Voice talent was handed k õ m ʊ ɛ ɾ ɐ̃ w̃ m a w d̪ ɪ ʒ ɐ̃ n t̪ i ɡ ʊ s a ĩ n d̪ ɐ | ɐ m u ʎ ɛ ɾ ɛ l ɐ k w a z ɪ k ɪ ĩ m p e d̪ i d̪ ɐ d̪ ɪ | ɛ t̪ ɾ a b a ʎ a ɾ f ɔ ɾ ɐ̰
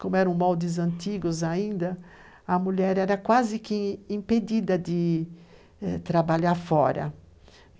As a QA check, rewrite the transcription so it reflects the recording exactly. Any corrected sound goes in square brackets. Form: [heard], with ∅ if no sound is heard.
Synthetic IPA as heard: k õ m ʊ ɛ ɾ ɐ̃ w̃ m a w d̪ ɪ [z] ɐ̃ n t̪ i ɡ ʊ [z] a ĩ n d̪ ɐ | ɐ m u ʎ ɛ ɾ ɛ [ɾ] ɐ k w a z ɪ k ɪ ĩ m p e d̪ i d̪ ɐ d̪ ɪ | ɛ t̪ ɾ a b a ʎ a ɾ f ɔ ɾ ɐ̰

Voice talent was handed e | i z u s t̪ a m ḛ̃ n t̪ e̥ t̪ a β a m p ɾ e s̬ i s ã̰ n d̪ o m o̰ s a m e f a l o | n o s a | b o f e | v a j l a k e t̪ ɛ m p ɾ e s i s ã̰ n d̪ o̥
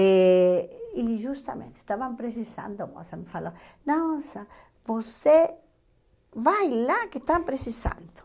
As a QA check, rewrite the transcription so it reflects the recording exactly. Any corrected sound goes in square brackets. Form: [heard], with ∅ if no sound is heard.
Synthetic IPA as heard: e | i [ʒ] u s t̪ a m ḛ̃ n t̪ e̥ t̪ a β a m p ɾ e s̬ i s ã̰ n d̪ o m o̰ s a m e f a l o | n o s a | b o [s] e | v a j l a k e t̪ [a] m p ɾ e s i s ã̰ n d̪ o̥

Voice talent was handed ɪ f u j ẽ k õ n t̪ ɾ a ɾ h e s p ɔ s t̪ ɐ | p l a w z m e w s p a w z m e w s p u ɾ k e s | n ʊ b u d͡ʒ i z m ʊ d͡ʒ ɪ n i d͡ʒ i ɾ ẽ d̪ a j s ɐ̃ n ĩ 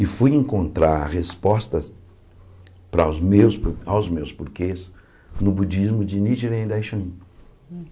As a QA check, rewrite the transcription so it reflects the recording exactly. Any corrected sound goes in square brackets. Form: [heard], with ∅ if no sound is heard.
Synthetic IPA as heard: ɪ f u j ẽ k õ n t̪ ɾ a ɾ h e s p ɔ s t̪ ɐ | p [ɾ] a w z m e w s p a w z m e w s p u ɾ k e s | n ʊ b u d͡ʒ i z m ʊ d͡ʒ ɪ n i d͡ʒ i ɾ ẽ d̪ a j [ʃ] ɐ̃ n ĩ

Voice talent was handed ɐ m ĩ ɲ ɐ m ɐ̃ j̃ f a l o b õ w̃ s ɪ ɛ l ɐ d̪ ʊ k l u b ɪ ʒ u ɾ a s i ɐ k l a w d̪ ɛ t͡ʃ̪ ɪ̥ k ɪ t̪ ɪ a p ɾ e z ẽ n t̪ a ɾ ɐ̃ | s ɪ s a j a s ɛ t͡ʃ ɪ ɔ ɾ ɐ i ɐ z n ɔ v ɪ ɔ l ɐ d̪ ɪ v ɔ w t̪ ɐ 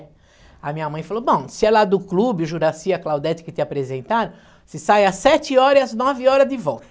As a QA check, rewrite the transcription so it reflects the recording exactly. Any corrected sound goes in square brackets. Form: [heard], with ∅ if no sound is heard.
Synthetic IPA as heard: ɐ m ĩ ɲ ɐ m ɐ̃ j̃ f a l o b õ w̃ s ɪ ɛ l [a] d̪ ʊ k l u b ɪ ʒ u ɾ a s i ɐ k l a w d̪ ɛ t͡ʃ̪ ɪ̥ k ɪ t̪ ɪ a p ɾ e z ẽ n t̪ a ɾ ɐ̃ | s ɪ s a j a s ɛ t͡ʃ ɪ ɔ ɾ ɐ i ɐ z n ɔ v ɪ ɔ [ɾ] ɐ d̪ ɪ v ɔ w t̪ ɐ

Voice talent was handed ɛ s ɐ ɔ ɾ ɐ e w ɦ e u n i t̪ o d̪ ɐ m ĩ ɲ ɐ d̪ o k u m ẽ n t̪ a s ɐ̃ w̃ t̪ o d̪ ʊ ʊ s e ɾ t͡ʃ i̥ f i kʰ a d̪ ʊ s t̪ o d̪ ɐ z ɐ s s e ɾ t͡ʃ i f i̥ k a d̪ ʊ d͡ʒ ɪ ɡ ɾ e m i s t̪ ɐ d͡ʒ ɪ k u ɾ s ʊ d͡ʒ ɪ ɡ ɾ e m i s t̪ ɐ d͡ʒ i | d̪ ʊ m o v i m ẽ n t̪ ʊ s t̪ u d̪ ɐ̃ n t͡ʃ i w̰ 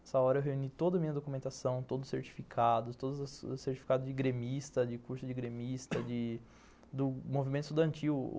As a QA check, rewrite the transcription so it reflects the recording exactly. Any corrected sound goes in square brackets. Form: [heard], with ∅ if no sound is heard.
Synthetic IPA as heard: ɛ s ɐ ɔ ɾ ɐ e w ɦ e u n i t̪ o d̪ ɐ m ĩ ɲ ɐ d̪ o k u m ẽ n t̪ a s ɐ̃ w̃ t̪ o d̪ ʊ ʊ s e ɾ t͡ʃ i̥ f i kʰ a d̪ ʊ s t̪ o d̪ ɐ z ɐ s s e ɾ t͡ʃ i f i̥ k a d̪ ʊ d͡ʒ ɪ ɡ ɾ e m i s t̪ ɐ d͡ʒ ɪ k u ɾ s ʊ d͡ʒ ɪ ɡ ɾ e m i s t̪ ɐ d͡ʒ [ɪ] | d̪ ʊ m o v i m ẽ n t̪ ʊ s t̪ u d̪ ɐ̃ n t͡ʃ i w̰

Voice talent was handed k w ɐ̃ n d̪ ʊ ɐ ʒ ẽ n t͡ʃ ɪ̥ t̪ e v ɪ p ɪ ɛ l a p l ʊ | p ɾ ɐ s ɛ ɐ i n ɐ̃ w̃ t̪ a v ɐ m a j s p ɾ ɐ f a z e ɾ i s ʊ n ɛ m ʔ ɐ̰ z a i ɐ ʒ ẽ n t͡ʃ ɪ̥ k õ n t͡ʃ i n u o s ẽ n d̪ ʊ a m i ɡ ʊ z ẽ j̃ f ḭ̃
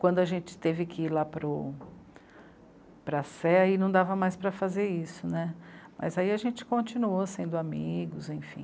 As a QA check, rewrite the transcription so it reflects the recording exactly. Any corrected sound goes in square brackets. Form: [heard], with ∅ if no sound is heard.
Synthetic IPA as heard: k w ɐ̃ n d̪ ʊ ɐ ʒ ẽ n t͡ʃ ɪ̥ t̪ e v ɪ [k] ɪ [i] l a p [ɾ] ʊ | p ɾ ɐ s ɛ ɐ i n ɐ̃ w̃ [d̪] a v ɐ m a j s p ɾ ɐ f a z e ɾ i s ʊ n ɛ m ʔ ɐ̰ z a i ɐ ʒ ẽ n t͡ʃ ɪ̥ k õ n t͡ʃ i n u o s ẽ n d̪ ʊ a m i ɡ ʊ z ẽ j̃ f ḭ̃

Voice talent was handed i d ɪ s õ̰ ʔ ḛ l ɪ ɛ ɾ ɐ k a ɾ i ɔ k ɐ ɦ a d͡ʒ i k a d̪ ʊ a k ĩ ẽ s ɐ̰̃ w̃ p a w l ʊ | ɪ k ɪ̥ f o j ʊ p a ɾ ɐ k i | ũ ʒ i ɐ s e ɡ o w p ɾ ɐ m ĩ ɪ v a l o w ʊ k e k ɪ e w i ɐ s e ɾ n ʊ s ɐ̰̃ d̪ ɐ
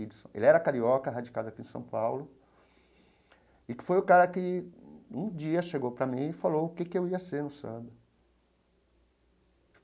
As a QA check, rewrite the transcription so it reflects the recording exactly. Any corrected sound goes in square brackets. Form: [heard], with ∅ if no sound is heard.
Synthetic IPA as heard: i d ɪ s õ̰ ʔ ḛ l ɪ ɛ ɾ ɐ k a ɾ i ɔ k ɐ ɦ a d͡ʒ i k a d̪ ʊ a k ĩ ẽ s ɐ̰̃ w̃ p a w l ʊ | ɪ k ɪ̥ f o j ʊ [k] a ɾ ɐ k [ɪ] | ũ [d͡ʒ] i ɐ [ʃ] e ɡ o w p ɾ ɐ m ĩ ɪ [f] a l o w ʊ k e k ɪ e w i ɐ s e ɾ n ʊ s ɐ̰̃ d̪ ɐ

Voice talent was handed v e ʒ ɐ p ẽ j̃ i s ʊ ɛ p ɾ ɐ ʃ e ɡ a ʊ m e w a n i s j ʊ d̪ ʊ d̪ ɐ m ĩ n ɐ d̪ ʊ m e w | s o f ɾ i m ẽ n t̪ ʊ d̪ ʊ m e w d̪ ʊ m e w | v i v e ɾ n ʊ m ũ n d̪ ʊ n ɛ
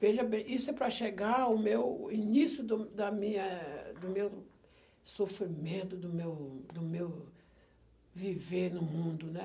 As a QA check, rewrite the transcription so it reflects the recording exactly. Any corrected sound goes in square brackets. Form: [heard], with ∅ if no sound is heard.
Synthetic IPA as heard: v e ʒ ɐ [b] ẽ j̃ i s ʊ ɛ p ɾ ɐ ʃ e ɡ a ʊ m e w [i] n i s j ʊ d̪ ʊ d̪ ɐ m ĩ [ɲ] ɐ d̪ ʊ m e w | s o f ɾ i m ẽ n t̪ ʊ d̪ ʊ m e w d̪ ʊ m e w | v i v e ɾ n ʊ m ũ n d̪ ʊ n ɛ

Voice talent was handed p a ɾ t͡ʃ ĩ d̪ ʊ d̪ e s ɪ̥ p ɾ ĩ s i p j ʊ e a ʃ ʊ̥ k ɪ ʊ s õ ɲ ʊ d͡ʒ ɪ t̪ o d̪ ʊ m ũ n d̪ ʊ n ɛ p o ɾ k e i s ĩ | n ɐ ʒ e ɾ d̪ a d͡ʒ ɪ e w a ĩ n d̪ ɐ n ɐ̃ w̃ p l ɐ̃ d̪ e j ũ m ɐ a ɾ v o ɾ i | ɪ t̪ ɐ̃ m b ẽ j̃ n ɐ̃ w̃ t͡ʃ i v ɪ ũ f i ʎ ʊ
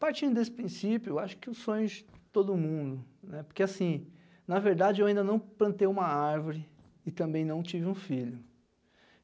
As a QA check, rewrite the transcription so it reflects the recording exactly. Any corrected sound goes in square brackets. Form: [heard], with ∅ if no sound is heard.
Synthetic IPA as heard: p a ɾ t͡ʃ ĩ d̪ ʊ d̪ e s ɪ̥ p ɾ ĩ s i p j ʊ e a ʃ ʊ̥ k ɪ ʊ s õ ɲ ʊ d͡ʒ ɪ t̪ o d̪ ʊ m ũ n d̪ ʊ n ɛ p o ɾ k e [a] s ĩ | n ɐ [v] e ɾ d̪ a d͡ʒ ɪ e w a ĩ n d̪ ɐ n ɐ̃ w̃ p l ɐ̃ [t̪] e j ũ m ɐ a ɾ v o ɾ [ɪ] | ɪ t̪ ɐ̃ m b ẽ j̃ n ɐ̃ w̃ t͡ʃ i v ɪ ũ f i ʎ ʊ

